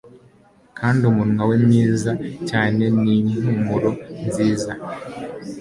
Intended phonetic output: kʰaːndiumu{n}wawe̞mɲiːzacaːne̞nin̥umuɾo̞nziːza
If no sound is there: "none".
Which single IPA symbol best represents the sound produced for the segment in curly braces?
n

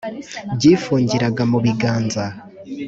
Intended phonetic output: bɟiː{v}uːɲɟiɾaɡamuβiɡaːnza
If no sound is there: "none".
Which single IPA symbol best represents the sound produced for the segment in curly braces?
f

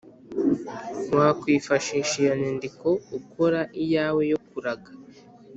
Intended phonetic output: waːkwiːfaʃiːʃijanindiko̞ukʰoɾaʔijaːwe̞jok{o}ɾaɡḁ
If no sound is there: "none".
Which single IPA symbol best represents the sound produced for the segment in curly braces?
u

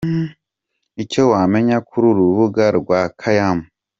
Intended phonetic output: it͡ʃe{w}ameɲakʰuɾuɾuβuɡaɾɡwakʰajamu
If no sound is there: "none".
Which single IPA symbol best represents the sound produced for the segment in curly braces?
w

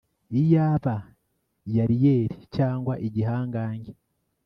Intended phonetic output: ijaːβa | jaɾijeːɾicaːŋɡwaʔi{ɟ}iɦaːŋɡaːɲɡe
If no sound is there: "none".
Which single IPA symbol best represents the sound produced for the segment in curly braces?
ɟ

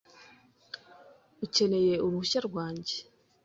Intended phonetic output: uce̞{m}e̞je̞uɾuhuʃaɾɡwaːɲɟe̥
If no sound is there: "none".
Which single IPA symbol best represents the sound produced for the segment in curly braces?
n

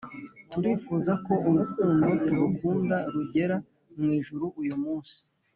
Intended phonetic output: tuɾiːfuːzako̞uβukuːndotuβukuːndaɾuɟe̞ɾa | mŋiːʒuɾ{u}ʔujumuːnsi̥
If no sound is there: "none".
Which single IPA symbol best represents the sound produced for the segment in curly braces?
u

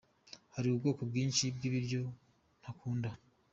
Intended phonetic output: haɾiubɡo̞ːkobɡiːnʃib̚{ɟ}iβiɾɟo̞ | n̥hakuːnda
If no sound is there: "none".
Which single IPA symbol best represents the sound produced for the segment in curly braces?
ɡ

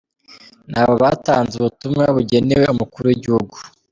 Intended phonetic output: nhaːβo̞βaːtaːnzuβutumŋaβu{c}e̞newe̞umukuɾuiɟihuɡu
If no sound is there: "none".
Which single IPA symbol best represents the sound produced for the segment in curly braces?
ɟ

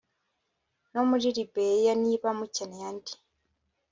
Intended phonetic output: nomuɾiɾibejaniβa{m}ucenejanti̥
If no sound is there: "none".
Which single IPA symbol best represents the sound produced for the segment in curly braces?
m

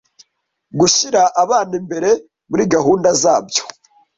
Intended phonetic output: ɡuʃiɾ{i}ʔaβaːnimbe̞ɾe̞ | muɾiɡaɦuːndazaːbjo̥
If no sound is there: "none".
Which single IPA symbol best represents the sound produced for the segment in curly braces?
a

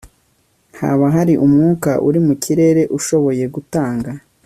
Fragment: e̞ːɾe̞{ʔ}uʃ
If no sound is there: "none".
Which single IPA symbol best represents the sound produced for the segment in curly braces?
ʔ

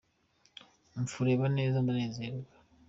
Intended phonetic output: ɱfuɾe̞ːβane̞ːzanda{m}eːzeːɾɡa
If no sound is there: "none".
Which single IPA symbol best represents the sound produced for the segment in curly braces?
n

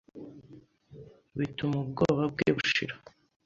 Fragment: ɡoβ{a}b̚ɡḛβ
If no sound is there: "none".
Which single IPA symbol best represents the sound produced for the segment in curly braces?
a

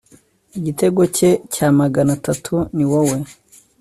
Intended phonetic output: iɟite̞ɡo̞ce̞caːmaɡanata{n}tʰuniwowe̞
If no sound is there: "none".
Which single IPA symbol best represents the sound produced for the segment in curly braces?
none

